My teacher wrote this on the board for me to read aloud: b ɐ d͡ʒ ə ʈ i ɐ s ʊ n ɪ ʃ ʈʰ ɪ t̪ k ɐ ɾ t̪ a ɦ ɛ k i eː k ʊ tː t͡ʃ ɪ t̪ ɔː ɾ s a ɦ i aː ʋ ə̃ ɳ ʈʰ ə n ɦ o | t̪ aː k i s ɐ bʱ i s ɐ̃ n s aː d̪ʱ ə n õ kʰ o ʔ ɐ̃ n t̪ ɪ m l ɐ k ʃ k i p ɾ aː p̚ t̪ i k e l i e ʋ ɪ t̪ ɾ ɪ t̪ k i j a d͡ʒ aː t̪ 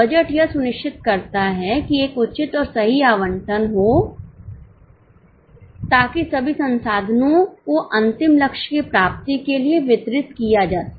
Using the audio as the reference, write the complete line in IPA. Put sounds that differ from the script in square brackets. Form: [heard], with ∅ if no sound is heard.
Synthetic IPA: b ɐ d͡ʒ ə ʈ [j] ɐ s ʊ n ɪ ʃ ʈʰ ɪ t̪ k ɐ ɾ t̪ a ɦ ɛ k i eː k ʊ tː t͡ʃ ɪ t̪ ɔː ɾ s [ɐ] ɦ i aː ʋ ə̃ ɳ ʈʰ ə n ɦ o | t̪ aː k i s ɐ bʱ i s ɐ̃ n s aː d̪ʱ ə n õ [k] o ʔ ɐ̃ n t̪ ɪ m l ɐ k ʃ k i p ɾ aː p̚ t̪ i k e l i e ʋ ɪ t̪ ɾ ɪ t̪ k i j a d͡ʒ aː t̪